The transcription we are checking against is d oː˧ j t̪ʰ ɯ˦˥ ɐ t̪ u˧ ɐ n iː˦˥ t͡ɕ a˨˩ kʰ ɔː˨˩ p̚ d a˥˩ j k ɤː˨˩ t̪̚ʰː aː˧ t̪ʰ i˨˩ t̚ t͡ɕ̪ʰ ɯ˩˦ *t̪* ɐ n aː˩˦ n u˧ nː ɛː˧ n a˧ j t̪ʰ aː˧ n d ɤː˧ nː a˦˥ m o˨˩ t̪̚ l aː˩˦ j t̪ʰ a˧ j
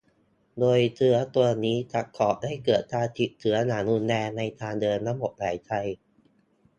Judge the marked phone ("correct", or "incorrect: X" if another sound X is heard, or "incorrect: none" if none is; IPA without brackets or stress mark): incorrect: none